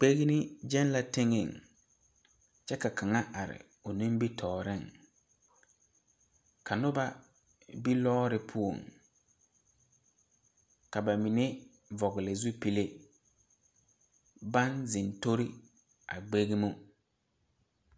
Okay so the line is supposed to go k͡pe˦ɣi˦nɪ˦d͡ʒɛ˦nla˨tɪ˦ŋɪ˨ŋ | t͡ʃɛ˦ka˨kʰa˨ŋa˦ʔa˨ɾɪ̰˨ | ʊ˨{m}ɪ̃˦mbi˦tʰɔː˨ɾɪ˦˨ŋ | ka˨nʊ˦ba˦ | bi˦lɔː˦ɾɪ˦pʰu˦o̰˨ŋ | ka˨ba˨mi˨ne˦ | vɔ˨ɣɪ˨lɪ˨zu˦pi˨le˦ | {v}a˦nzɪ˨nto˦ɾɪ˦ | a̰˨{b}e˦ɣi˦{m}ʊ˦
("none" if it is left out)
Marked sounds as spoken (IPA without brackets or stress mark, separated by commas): n, b, ɡ͡b, m